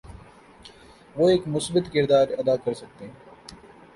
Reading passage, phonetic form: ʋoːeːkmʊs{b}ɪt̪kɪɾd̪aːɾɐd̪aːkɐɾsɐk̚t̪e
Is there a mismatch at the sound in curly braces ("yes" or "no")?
no